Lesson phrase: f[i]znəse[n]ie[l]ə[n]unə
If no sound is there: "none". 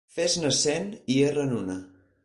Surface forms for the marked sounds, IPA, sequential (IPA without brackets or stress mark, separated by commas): e, n, r, n